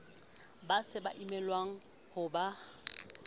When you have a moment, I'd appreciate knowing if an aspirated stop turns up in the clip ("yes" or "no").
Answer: no